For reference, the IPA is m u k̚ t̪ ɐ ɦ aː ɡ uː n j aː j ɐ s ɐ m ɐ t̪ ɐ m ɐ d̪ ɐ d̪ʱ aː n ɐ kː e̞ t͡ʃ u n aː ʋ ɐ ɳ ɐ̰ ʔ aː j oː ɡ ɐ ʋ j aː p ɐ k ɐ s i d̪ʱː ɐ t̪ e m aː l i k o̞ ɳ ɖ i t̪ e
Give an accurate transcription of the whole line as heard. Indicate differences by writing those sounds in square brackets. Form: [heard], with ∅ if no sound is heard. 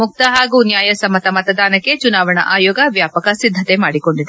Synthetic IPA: m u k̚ t̪ ɐ ɦ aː ɡ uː n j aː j ɐ s ɐ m ɐ t̪ ɐ m ɐ [t̪] ɐ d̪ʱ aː n ɐ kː e̞ t͡ʃ u n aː ʋ ɐ ɳ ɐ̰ ʔ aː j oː ɡ ɐ ʋ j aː p ɐ k ɐ s i d̪ʱː ɐ t̪ e m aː [ɽ] i k o̞ ɳ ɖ i [d̪] e